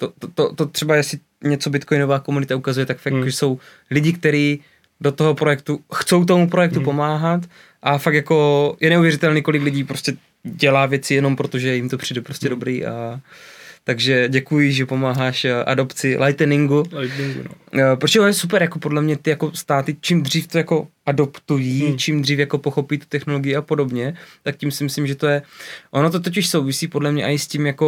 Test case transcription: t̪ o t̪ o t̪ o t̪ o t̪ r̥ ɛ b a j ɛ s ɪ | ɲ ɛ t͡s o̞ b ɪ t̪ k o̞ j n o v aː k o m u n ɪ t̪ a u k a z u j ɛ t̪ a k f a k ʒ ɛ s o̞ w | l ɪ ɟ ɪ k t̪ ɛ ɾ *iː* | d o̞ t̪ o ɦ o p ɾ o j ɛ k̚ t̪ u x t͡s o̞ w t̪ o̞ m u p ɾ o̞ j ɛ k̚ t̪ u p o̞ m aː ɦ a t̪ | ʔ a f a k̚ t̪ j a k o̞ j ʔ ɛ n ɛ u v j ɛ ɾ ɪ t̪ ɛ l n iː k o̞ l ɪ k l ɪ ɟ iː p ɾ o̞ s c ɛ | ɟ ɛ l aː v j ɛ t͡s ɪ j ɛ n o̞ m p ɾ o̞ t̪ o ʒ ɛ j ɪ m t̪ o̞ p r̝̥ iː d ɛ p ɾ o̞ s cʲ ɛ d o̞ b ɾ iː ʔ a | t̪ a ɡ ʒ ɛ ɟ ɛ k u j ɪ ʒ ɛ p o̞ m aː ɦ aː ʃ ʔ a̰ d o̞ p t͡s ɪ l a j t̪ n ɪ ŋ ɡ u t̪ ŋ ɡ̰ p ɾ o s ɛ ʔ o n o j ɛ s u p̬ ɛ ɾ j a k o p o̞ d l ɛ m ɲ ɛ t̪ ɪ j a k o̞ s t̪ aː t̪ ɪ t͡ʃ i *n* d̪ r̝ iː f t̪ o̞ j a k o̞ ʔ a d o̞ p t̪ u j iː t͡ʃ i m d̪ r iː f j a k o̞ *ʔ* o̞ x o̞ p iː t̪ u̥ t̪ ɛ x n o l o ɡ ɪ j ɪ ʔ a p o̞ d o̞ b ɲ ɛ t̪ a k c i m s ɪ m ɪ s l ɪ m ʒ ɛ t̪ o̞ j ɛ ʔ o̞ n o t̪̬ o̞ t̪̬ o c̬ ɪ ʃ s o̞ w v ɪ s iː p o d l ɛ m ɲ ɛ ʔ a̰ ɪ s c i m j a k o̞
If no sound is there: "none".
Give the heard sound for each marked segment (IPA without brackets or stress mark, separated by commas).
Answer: iː, m, p